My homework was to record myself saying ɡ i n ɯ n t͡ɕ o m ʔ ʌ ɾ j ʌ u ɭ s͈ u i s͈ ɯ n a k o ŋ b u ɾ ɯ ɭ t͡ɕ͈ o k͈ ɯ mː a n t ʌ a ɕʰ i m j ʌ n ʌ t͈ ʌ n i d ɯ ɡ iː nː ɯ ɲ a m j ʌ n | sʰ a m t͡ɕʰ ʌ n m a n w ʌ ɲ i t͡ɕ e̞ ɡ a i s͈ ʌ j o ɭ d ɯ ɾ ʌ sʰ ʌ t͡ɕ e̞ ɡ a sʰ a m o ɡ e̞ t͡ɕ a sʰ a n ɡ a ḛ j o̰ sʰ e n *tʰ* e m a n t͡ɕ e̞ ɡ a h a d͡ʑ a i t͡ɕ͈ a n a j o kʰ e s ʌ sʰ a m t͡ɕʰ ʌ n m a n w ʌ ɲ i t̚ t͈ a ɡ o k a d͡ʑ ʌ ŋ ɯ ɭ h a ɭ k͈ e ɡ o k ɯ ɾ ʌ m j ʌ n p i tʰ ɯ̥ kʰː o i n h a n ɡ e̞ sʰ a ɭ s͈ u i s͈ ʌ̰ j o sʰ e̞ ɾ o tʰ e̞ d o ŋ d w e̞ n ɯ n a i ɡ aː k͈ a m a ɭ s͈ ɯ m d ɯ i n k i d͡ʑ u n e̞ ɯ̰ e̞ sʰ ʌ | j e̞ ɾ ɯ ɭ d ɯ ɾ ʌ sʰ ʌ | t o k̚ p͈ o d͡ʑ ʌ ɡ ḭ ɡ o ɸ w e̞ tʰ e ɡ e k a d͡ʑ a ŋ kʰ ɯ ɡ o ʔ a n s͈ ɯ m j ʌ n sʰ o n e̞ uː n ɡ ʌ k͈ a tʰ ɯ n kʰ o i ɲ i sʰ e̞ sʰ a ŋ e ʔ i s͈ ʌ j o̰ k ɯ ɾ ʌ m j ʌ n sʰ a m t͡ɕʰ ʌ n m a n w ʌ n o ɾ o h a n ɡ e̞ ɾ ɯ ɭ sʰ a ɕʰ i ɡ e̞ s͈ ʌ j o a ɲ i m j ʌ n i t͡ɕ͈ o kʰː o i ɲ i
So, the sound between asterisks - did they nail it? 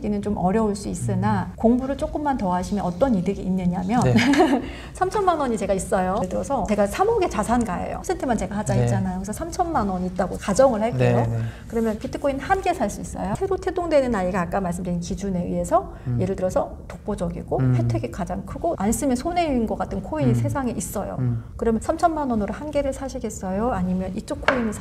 yes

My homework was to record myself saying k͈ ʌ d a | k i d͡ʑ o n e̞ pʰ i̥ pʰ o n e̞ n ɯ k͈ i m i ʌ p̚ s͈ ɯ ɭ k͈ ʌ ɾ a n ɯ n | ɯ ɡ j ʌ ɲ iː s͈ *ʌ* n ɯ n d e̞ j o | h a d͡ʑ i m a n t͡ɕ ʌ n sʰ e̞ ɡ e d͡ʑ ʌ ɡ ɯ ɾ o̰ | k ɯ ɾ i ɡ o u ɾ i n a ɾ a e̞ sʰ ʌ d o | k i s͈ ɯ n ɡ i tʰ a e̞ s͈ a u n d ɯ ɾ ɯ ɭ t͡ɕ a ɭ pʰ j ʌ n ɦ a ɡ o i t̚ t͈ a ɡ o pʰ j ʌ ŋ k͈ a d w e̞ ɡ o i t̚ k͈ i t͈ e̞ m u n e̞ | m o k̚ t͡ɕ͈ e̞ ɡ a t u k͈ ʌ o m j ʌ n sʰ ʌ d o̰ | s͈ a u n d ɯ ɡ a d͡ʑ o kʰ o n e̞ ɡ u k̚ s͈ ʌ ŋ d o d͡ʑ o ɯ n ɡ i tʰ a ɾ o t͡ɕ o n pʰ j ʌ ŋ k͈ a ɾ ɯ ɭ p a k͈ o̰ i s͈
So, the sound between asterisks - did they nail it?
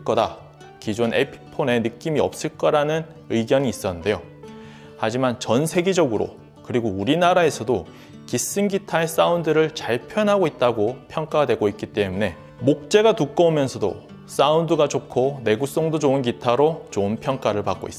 yes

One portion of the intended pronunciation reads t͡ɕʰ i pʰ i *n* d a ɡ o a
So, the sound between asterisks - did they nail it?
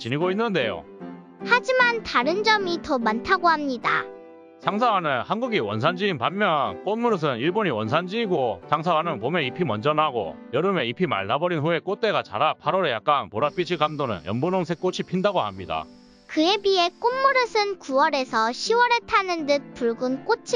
yes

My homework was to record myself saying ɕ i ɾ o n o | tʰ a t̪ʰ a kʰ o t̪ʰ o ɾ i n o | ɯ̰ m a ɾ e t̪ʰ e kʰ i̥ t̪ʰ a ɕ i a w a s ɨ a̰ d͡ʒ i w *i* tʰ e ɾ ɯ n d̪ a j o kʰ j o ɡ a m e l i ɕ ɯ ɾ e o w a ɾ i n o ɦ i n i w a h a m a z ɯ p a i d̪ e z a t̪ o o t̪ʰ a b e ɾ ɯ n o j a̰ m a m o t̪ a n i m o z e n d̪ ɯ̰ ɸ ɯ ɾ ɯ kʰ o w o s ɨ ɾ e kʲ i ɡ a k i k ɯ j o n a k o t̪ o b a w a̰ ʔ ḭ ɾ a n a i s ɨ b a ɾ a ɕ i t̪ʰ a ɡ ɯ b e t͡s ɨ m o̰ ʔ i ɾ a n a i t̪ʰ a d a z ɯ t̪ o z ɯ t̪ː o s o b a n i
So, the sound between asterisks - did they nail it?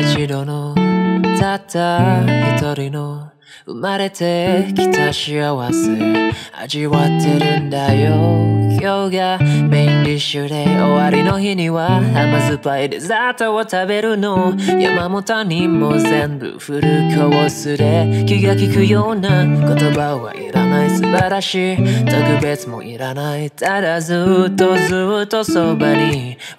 no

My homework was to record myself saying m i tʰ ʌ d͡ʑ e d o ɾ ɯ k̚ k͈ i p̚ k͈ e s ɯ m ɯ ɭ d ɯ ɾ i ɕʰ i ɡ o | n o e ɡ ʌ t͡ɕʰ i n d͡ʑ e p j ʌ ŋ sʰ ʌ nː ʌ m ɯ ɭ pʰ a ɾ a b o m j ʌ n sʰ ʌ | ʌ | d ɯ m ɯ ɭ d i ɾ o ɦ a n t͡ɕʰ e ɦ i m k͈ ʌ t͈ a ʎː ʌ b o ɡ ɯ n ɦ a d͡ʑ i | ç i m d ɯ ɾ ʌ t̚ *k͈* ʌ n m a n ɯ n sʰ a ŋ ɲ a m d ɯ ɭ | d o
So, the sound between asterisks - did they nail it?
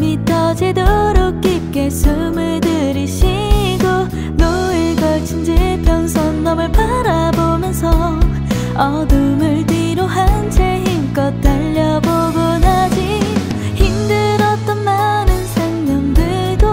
no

